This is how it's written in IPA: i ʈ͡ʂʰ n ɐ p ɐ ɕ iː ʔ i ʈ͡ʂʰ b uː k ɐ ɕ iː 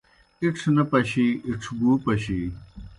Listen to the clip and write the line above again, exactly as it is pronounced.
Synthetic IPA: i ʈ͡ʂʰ n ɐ p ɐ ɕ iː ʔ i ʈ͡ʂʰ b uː p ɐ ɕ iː